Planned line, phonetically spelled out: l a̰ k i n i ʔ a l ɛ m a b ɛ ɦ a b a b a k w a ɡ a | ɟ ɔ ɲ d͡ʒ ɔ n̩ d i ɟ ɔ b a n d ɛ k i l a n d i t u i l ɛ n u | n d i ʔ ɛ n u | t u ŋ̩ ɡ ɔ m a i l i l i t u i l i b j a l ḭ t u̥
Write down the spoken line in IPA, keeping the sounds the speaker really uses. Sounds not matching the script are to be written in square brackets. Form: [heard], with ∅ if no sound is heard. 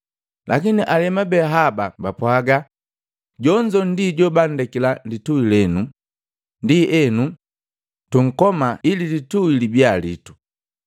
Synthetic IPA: l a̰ k i n i ʔ a l ɛ m a b ɛ ɦ a b a b a [p] w a ɡ a | ɟ ɔ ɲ d͡ʒ ɔ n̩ d i ɟ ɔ b a n d ɛ k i l a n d i t u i l ɛ n u | n d i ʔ ɛ n u | t u ŋ̩ [k] ɔ m a i l i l i t u i l i b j a l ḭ t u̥